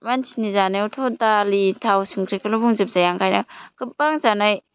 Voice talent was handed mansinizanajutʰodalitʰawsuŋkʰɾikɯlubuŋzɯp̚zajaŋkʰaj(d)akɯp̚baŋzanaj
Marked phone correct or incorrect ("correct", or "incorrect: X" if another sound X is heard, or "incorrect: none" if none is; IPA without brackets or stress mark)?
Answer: incorrect: n